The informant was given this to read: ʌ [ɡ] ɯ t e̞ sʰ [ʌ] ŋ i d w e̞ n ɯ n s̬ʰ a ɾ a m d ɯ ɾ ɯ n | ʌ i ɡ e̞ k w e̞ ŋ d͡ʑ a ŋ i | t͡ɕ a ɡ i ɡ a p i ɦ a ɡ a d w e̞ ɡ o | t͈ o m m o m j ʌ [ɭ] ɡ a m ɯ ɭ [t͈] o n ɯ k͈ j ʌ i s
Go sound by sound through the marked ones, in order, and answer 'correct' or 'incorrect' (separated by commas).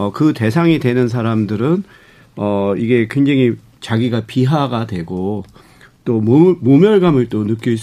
incorrect, incorrect, correct, correct